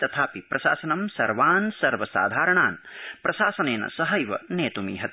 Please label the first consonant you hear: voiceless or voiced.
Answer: voiceless